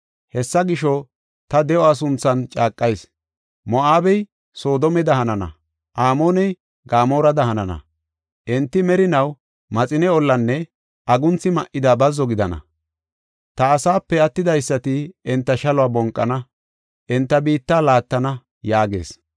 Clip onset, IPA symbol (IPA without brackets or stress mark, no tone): h